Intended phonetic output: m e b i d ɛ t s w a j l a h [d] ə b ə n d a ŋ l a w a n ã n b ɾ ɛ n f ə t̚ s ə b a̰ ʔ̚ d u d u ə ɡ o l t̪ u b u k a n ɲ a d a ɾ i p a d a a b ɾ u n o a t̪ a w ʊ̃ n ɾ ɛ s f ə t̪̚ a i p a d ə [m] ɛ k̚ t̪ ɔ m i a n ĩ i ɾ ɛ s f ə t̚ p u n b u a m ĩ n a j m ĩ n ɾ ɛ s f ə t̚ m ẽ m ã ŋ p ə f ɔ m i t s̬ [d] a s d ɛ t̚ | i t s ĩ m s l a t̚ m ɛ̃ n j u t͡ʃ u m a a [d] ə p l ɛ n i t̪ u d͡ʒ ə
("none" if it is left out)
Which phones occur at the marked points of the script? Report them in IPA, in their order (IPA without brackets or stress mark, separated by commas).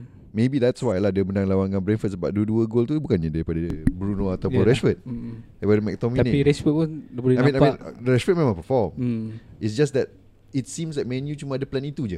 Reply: d, m, d͡ʒ, d